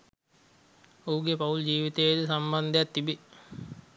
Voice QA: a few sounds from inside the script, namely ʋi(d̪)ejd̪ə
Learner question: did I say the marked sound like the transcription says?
no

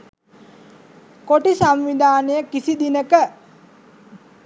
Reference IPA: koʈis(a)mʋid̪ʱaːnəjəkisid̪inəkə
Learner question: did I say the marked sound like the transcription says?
yes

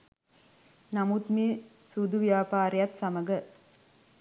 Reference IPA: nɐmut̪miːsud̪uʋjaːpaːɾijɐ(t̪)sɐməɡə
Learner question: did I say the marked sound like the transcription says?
yes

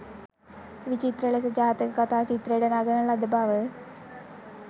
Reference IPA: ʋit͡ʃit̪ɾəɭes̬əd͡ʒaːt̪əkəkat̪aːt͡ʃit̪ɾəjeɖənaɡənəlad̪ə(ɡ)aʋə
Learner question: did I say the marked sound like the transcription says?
no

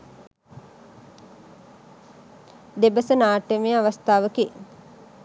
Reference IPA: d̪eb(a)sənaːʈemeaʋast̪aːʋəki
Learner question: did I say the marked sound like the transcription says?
no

